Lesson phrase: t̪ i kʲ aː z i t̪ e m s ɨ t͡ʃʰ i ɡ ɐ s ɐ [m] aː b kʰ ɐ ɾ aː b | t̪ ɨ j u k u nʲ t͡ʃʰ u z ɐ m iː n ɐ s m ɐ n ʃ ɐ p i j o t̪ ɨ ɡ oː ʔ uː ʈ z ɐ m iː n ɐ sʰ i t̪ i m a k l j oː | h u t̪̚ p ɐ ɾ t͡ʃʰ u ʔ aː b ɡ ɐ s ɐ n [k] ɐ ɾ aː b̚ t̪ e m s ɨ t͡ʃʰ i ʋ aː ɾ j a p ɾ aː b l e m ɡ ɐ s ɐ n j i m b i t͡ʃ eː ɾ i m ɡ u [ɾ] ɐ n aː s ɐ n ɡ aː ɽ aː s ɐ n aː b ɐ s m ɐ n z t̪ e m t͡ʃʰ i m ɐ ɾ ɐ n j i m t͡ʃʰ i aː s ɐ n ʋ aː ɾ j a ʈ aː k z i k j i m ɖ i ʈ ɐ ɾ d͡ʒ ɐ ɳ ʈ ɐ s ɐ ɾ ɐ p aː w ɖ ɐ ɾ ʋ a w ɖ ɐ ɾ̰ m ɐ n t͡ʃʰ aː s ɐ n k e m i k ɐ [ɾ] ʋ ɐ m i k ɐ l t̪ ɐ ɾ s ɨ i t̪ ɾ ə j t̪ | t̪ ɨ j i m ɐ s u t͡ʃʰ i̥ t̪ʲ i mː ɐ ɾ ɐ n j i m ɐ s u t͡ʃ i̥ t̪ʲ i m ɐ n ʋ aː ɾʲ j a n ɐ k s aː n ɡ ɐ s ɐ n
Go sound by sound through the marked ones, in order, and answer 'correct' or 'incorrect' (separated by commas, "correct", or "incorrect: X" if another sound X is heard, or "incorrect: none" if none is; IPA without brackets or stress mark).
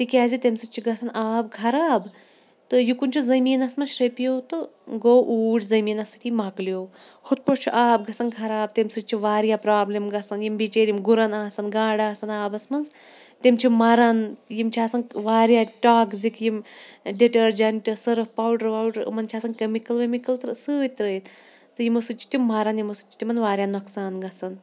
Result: incorrect: n, incorrect: kʰ, correct, incorrect: l